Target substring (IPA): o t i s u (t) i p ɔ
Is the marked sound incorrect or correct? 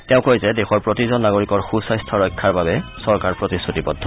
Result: correct